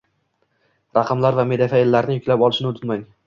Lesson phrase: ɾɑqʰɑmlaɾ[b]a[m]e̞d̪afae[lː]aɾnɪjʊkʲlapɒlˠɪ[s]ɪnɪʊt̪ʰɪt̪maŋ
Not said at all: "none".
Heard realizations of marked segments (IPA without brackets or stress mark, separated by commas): v, m, lː, ʃ